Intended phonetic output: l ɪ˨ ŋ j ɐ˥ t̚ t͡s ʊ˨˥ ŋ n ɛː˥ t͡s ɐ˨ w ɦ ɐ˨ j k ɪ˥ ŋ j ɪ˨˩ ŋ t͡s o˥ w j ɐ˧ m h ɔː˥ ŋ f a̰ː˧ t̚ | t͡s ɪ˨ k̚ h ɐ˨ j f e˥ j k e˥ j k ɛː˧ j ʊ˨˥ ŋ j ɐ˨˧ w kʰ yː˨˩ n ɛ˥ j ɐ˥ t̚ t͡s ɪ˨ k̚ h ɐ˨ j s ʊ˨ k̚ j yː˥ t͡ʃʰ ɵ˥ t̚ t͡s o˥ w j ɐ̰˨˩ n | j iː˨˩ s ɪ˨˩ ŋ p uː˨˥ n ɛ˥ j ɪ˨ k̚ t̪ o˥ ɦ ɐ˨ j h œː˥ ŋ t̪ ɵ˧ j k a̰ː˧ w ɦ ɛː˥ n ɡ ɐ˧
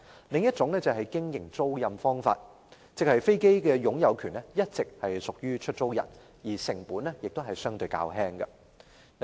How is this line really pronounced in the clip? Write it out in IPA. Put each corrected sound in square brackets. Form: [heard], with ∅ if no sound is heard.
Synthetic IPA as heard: l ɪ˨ ŋ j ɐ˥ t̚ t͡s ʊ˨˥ ŋ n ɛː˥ t͡s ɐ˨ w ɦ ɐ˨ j k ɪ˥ ŋ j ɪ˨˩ ŋ t͡s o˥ w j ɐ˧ m [f] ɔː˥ ŋ f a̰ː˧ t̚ | t͡s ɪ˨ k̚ h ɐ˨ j f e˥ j k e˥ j k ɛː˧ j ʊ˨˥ ŋ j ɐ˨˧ w kʰ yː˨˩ n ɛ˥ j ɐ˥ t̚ t͡s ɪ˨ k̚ h ɐ˨ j s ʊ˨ k̚ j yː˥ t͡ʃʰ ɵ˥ t̚ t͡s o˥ w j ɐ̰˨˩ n | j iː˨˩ s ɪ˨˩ ŋ p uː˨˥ n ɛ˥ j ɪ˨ k̚ t̪ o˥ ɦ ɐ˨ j [s] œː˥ ŋ t̪ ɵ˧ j k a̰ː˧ w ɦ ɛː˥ [ŋ] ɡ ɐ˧